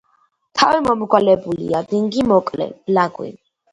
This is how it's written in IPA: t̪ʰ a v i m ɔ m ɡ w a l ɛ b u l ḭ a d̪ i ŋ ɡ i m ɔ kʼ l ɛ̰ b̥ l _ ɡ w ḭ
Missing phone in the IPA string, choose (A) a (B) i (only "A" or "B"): A